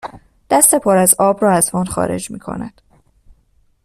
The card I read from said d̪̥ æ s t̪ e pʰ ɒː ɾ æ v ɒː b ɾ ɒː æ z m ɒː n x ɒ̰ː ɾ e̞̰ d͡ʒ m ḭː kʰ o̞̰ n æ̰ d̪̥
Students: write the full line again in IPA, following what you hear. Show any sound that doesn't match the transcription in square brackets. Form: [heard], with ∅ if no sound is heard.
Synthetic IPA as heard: d̪̥ æ s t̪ e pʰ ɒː ɾ æ [z] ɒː b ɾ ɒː æ z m ɒː n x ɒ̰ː ɾ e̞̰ d͡ʒ m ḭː kʰ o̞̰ n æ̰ d̪̥

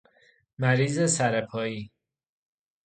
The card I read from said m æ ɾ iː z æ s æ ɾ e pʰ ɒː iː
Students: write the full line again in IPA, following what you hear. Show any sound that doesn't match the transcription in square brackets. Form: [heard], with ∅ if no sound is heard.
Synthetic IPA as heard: m æ ɾ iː z [e] s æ ɾ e pʰ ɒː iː

